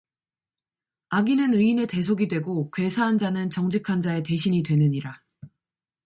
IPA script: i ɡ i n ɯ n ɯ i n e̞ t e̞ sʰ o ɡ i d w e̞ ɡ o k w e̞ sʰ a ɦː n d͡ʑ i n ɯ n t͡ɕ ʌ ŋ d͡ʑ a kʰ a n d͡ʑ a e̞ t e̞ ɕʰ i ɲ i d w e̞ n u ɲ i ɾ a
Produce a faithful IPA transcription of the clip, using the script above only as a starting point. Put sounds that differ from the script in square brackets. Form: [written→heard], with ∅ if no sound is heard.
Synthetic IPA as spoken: [i→a] ɡ i n ɯ n ɯ i n e̞ t e̞ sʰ o ɡ i d w e̞ ɡ o k w e̞ sʰ a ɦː n d͡ʑ [i→a] n ɯ n t͡ɕ ʌ ŋ d͡ʑ [a→i] kʰ a n d͡ʑ a e̞ t e̞ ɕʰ i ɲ i d w e̞ n [u→ɯ] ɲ i ɾ a